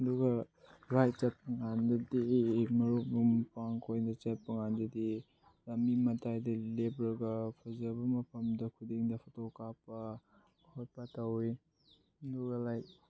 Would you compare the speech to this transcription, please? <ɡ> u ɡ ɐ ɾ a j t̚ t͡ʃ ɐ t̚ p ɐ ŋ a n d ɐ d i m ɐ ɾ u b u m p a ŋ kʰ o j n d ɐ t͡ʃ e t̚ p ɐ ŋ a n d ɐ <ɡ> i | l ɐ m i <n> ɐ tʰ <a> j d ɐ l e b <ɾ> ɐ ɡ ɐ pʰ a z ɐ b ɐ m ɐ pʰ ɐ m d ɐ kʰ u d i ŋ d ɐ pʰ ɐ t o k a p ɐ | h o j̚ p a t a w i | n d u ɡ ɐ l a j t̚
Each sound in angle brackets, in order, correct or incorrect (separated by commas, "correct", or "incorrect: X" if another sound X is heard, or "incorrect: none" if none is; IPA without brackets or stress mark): incorrect: d, incorrect: d, incorrect: m, correct, correct